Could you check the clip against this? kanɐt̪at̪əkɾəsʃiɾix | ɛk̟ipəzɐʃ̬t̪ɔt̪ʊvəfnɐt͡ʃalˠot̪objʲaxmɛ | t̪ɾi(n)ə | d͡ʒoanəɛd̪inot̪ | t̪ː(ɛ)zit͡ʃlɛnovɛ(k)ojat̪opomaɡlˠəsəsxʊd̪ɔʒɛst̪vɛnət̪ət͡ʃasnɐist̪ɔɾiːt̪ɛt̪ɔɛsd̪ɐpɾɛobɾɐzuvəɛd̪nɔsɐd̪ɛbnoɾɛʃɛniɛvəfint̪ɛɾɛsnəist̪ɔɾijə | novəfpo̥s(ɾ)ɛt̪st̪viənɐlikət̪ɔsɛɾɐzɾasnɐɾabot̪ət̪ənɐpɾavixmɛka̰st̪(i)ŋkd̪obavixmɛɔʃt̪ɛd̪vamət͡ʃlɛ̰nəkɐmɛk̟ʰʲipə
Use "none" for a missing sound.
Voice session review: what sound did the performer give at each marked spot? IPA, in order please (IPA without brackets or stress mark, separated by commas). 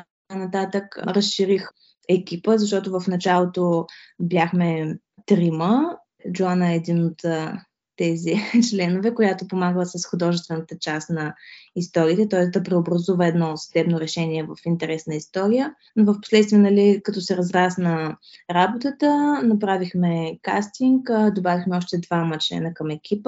m, ɛ, k, l, i